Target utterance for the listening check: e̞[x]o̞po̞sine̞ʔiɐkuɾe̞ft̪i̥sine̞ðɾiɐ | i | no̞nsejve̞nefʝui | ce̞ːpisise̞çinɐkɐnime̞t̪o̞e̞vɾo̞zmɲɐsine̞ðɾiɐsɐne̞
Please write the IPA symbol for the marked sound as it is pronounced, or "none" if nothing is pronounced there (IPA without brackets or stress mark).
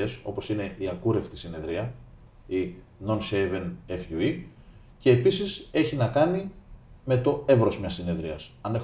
s